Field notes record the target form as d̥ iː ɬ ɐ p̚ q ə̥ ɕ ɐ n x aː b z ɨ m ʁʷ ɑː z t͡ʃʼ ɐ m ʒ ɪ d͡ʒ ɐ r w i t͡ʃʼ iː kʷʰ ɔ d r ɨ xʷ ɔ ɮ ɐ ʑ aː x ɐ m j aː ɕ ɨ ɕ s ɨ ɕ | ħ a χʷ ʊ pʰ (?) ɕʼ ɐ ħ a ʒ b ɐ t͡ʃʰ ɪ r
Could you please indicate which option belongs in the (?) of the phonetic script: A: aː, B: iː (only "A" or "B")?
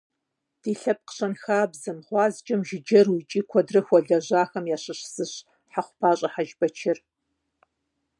A